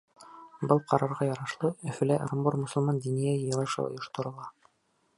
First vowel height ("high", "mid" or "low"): mid